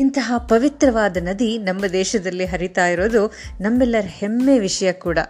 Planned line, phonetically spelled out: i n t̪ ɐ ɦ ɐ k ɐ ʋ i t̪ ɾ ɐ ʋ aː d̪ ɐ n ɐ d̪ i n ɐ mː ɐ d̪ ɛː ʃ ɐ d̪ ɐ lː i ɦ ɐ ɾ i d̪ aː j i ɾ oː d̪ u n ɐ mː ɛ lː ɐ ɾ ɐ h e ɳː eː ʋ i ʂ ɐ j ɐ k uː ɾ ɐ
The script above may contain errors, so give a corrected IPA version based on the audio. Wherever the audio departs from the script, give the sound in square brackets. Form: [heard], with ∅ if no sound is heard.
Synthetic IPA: i n t̪ ɐ ɦ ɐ [p] ɐ ʋ i t̪ ɾ ɐ ʋ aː d̪ ɐ n ɐ d̪ i n ɐ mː ɐ d̪ ɛː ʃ ɐ d̪ ɐ lː i ɦ ɐ ɾ i [t̪] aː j i ɾ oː d̪ u n ɐ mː ɛ lː ɐ ɾ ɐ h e [mː] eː ʋ i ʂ ɐ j ɐ k uː [ɽ] ɐ